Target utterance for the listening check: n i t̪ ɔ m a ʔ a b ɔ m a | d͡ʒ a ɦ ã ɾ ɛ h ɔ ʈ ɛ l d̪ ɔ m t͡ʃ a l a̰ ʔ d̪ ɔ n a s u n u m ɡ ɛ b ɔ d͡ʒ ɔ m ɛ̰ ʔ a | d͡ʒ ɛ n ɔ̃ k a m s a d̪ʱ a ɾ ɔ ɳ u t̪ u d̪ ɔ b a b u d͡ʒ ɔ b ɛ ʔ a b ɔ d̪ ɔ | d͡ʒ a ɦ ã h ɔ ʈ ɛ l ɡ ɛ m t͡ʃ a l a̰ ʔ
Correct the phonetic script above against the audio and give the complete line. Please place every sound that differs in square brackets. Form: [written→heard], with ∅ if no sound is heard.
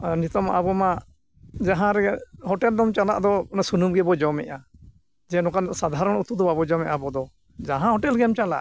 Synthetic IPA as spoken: n i t̪ ɔ m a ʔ a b ɔ m a | d͡ʒ a ɦ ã ɾ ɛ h ɔ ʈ ɛ l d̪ ɔ m t͡ʃ a l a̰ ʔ d̪ ɔ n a s u n u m ɡ ɛ b ɔ d͡ʒ ɔ m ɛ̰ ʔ a | d͡ʒ ɛ n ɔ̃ k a [m→n] s a d̪ʱ a ɾ ɔ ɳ u t̪ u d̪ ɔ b a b [u→ɔ] d͡ʒ ɔ [b→m] ɛ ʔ a b ɔ d̪ ɔ | d͡ʒ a ɦ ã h ɔ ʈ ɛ l ɡ ɛ m t͡ʃ a l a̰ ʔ